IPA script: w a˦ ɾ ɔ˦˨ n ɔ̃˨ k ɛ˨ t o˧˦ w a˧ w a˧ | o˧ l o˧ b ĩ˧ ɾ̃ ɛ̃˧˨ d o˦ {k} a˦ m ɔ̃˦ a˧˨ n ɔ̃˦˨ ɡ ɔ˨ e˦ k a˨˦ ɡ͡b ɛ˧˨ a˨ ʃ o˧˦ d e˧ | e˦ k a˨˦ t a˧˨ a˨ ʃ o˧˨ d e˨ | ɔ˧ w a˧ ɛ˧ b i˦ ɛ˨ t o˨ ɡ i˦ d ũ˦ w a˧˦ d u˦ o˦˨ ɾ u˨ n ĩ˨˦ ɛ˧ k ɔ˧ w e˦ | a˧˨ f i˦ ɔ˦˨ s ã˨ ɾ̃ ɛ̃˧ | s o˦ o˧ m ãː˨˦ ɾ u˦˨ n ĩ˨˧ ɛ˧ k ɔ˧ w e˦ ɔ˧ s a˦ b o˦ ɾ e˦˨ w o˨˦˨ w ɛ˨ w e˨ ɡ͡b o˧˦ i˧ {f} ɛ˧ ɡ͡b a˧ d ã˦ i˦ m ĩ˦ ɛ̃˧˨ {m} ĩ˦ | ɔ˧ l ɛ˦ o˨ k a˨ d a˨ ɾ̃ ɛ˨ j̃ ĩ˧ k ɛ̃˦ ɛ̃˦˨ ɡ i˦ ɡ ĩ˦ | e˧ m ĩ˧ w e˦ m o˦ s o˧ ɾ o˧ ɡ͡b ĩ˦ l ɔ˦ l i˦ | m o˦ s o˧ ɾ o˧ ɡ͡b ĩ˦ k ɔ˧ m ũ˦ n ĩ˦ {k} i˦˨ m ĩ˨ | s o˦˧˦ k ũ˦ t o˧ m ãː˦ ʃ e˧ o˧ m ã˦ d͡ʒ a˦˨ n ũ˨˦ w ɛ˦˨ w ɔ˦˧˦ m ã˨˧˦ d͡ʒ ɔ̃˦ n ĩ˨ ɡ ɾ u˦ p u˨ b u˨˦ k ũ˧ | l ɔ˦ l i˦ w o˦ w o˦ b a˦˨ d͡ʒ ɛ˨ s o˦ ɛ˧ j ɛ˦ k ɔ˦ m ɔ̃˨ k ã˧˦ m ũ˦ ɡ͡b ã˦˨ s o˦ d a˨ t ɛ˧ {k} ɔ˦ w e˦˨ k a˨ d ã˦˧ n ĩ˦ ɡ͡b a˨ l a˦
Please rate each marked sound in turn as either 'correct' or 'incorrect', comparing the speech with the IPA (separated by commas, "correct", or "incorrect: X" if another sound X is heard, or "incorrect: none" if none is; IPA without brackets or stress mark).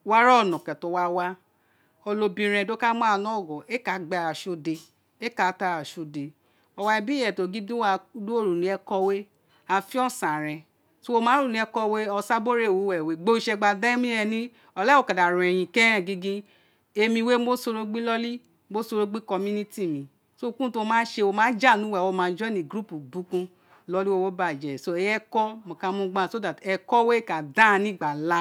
correct, incorrect: ʃ, incorrect: n, incorrect: t, correct